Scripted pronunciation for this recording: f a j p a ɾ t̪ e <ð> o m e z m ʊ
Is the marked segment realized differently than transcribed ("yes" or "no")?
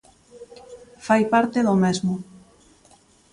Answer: no